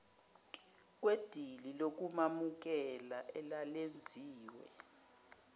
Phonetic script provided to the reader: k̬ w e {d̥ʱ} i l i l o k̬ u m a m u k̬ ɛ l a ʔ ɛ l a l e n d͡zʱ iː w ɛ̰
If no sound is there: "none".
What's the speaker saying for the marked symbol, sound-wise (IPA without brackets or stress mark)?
d̥ʱ